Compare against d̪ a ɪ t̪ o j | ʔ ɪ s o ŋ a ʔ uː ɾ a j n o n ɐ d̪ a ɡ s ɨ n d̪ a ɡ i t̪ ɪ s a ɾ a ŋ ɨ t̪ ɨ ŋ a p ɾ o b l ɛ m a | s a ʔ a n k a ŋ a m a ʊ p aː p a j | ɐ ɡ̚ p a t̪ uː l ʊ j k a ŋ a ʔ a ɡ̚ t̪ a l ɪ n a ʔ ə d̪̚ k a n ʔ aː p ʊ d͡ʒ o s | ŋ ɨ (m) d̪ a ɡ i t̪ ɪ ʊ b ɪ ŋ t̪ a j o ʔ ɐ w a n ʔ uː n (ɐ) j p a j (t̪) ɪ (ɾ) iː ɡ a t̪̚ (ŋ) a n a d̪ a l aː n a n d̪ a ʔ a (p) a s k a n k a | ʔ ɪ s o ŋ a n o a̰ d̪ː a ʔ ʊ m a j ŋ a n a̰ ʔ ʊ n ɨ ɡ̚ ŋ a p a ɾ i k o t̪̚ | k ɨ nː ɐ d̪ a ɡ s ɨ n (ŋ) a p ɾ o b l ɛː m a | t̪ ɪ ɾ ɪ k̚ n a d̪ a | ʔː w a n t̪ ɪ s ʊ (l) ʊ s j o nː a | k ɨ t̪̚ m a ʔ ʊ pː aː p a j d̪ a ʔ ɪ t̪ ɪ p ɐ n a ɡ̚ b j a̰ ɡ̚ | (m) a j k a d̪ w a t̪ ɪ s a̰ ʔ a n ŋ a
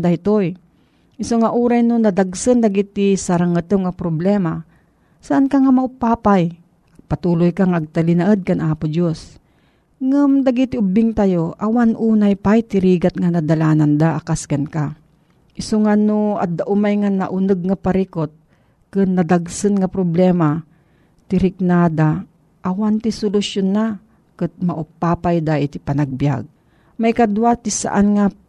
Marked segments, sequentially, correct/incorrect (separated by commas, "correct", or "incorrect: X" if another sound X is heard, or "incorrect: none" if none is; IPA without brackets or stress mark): correct, incorrect: a, correct, correct, correct, incorrect: k, correct, correct, correct